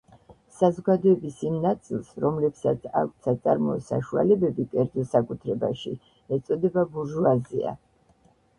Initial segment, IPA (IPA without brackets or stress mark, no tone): s